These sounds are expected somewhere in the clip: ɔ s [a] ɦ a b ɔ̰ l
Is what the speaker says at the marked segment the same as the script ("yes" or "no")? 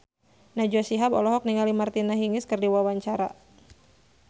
no